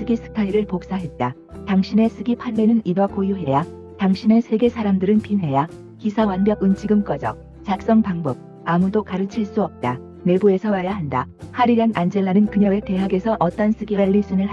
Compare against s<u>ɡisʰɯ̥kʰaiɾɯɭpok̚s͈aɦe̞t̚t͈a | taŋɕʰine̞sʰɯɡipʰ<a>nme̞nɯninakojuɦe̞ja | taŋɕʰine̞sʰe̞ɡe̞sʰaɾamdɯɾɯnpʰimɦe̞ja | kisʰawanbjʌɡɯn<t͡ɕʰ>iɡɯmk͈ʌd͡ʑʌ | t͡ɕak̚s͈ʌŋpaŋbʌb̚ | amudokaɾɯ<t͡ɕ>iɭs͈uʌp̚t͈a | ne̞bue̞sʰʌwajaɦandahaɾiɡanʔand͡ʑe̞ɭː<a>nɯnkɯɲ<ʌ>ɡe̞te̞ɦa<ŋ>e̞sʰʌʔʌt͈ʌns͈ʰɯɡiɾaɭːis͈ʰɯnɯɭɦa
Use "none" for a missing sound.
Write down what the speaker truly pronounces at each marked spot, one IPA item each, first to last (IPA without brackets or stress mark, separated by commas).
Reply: ɯ, a, t͡ɕʰ, t͡ɕʰ, a, ʌ, ɡ